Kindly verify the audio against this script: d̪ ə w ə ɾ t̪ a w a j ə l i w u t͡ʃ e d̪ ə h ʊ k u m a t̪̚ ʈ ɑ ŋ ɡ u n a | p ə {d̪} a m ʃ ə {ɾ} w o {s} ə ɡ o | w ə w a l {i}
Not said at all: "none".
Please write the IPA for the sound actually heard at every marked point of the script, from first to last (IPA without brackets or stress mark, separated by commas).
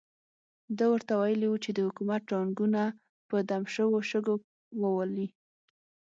d̪, none, ʃ, i